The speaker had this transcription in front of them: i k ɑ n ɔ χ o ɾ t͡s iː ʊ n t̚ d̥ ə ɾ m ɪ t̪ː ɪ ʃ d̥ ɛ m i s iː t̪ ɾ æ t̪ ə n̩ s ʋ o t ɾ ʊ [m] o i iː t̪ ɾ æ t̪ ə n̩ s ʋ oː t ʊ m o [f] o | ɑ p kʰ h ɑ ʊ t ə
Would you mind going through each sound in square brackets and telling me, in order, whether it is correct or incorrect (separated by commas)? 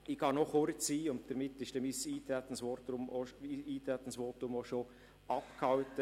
correct, incorrect